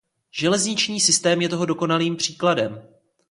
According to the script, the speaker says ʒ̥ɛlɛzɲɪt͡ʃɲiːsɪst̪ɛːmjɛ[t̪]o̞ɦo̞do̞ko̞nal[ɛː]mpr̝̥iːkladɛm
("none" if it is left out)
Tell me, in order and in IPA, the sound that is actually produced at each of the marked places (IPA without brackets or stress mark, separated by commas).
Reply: t̪, iː